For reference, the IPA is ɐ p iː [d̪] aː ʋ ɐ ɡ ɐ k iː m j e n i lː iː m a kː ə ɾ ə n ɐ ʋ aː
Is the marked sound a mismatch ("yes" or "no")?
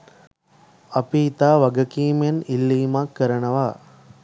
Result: yes